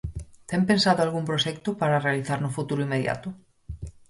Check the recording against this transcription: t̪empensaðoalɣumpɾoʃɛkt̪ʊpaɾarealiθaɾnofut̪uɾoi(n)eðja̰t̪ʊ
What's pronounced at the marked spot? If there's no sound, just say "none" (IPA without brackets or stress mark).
m